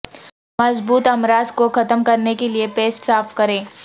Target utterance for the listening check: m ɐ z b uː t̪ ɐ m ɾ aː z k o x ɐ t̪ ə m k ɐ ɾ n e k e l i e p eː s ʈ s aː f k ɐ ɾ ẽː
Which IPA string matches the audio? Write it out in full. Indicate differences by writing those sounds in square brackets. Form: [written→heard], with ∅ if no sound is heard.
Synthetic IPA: m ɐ z b uː t̪ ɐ m ɾ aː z k o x ɐ t̪ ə m k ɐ ɾ n e k e l i e p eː s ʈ s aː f k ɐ ɾ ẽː